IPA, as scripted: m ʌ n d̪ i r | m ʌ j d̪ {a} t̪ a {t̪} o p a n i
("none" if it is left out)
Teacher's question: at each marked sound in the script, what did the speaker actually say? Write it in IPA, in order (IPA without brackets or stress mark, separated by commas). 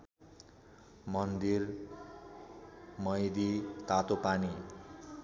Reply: i, t̪